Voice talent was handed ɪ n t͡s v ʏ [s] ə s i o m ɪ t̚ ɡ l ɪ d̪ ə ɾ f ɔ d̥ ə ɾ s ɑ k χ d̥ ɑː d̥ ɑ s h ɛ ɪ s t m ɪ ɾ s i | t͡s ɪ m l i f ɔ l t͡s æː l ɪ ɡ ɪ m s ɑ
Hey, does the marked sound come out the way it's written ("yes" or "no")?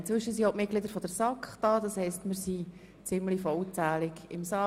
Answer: no